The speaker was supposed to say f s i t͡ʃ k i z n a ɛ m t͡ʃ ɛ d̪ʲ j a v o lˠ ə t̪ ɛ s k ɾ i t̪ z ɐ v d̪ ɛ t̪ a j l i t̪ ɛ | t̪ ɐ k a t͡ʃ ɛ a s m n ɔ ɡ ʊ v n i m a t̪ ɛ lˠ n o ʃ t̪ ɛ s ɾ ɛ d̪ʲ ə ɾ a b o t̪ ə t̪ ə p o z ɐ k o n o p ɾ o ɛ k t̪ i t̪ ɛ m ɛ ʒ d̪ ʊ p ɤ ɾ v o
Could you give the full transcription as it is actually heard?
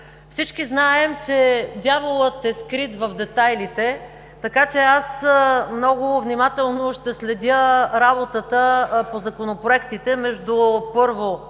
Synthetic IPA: f s i t͡ʃ k i z n a ɛ m t͡ʃ ɛ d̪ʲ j a v o lˠ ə t̪ ɛ s k ɾ i t̪ v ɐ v d̪ ɛ t̪ a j l i t̪ ɛ | t̪ ɐ k a t͡ʃ ɛ a s m n ɔ ɡ ʊ v n i m a t̪ ɛ lˠ n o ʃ t̪ ɛ s l ɛ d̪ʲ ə ɾ a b o t̪ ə t̪ ə p o z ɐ k o n o p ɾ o ɛ k t̪ i t̪ ɛ m ɛ ʒ d̪ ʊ p ɤ ɾ v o